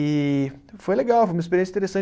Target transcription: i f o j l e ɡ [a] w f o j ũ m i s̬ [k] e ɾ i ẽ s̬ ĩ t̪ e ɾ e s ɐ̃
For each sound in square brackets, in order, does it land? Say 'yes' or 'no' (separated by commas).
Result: yes, no